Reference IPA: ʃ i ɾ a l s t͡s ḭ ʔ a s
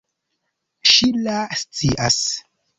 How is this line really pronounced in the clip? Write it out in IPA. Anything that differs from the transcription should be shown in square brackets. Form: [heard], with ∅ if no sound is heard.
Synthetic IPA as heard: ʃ i [l] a [∅] s t͡s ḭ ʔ a s